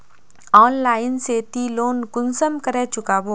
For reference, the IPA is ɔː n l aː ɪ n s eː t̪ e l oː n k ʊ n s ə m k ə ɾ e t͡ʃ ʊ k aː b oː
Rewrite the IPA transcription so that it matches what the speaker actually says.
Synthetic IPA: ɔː n l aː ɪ n s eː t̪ i l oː n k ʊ n s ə m k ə ɾ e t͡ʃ ʊ k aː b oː